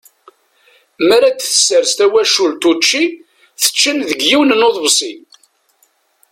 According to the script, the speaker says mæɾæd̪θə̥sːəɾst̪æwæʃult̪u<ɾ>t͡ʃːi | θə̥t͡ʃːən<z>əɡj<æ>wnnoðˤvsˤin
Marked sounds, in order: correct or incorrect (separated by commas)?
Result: incorrect, incorrect, incorrect